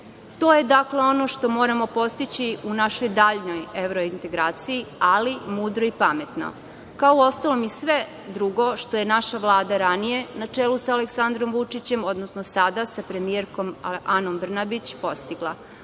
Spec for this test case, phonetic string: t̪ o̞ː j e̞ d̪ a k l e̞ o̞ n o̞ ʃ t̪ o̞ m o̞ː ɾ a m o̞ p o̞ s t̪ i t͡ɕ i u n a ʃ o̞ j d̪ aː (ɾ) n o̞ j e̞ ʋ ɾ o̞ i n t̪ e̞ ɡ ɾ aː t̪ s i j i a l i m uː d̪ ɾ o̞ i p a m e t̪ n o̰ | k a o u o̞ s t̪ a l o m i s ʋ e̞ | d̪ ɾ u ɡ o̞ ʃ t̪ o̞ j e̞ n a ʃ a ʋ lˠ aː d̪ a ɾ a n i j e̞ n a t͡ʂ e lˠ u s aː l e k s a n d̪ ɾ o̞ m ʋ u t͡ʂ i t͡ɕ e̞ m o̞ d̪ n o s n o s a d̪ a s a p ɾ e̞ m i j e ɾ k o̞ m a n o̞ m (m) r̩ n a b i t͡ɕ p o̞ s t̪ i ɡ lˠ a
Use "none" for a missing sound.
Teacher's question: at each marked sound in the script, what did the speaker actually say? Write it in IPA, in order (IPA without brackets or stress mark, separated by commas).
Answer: ʎ, b